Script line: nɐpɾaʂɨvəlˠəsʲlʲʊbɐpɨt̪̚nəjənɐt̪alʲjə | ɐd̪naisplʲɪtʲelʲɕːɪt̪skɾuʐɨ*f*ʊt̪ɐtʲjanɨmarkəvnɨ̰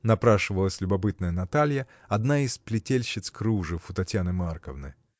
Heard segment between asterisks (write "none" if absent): f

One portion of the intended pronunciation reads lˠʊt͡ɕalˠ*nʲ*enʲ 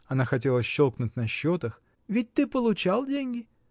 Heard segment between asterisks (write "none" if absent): dʲ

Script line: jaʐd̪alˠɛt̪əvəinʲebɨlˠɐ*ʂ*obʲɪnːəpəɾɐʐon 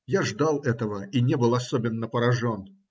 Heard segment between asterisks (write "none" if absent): s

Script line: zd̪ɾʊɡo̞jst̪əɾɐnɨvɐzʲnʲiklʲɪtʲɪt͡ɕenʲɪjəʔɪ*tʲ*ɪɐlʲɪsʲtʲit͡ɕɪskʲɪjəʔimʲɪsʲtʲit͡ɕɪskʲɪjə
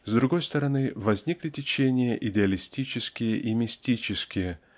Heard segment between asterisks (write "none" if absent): dʲ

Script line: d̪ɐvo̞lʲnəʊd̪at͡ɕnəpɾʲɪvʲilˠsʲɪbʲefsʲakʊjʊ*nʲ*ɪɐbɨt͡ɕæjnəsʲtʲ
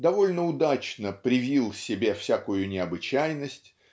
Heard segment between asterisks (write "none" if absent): nʲ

